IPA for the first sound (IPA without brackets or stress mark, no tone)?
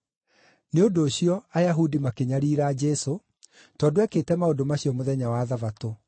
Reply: n